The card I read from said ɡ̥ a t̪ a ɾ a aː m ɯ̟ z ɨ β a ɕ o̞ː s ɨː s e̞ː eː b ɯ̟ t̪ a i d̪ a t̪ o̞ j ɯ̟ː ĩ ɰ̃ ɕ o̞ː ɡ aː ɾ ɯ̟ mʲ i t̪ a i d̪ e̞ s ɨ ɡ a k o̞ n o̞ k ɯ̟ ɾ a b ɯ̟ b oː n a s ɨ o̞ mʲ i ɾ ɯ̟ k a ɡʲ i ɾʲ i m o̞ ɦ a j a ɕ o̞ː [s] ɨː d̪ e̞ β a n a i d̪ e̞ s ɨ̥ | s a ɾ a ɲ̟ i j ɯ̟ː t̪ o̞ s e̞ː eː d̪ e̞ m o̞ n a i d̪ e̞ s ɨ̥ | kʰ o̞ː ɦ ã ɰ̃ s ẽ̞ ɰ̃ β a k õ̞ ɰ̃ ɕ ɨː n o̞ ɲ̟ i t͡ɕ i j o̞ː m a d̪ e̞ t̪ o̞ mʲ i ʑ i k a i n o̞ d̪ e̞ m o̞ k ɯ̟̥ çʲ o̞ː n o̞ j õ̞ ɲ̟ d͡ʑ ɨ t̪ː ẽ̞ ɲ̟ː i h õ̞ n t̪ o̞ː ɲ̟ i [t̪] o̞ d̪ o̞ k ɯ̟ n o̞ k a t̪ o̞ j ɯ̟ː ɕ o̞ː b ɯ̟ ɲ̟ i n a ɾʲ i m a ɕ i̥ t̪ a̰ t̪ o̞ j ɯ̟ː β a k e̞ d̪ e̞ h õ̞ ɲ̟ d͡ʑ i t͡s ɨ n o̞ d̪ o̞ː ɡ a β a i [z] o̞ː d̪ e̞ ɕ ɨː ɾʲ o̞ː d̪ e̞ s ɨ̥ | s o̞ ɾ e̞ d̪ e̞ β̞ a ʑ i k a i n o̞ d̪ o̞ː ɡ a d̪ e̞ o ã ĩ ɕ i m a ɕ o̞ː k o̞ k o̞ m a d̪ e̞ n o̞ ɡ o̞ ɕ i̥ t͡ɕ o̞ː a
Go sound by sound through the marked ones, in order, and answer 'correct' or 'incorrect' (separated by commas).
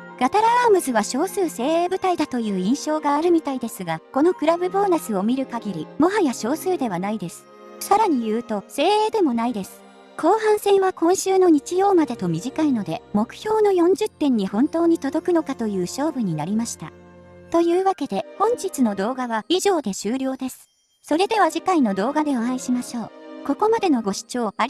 correct, correct, incorrect